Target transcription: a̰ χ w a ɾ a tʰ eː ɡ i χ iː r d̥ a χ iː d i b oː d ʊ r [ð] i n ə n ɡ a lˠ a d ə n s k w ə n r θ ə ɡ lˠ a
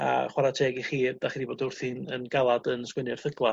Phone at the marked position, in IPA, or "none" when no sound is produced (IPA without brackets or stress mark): θ